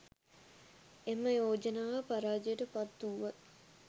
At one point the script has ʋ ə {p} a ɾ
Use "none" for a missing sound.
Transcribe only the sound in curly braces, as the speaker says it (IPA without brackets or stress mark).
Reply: p